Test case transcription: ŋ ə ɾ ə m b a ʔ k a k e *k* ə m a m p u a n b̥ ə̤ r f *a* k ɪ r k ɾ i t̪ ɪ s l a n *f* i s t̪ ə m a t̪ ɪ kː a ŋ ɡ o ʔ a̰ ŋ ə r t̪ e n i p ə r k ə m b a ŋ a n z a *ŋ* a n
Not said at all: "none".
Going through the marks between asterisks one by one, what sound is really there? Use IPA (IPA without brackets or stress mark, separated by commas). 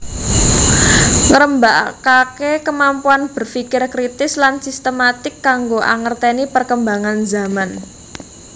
k, i, s, m